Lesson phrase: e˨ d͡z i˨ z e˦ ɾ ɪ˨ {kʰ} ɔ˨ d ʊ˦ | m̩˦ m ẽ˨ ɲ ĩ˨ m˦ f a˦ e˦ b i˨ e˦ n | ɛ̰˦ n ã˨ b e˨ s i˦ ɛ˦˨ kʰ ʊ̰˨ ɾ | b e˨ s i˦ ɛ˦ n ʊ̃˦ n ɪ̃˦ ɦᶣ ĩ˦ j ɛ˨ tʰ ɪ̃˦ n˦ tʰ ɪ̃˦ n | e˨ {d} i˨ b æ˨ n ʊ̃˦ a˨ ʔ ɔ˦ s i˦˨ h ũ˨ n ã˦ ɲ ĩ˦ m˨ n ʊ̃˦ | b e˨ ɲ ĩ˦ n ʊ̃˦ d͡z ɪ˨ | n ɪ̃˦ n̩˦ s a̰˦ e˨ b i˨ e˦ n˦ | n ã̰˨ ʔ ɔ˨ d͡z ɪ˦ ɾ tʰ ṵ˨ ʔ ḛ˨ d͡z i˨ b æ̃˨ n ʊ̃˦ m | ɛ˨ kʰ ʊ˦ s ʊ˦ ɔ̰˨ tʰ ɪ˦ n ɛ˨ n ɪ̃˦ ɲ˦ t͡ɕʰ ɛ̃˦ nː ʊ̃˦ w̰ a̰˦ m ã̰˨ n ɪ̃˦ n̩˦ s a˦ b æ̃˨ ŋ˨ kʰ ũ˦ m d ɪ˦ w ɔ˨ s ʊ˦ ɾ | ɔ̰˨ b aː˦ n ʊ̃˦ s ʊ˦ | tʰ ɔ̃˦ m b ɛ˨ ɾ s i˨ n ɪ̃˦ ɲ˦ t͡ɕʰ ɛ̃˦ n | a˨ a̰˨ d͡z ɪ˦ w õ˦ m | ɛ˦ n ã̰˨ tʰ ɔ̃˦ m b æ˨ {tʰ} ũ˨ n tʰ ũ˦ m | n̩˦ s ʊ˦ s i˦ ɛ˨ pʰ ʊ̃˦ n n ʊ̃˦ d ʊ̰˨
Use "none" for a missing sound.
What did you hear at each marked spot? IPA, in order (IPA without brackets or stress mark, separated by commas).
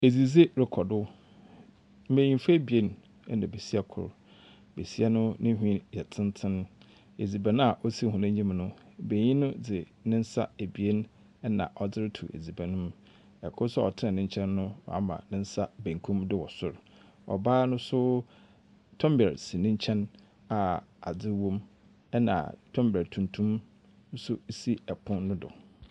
kʰ, d͡z, tʰ